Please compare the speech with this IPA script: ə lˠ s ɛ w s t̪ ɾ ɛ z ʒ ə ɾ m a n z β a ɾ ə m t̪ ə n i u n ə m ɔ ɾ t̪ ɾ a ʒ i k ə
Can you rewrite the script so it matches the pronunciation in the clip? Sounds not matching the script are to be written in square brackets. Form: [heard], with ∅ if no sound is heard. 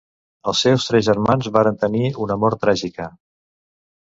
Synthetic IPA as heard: ə lˠ s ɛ w s t̪ ɾ ɛ z ʒ ə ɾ m a n z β a ɾ ə [n] t̪ ə n i u n ə m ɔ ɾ t̪ ɾ a ʒ i k ə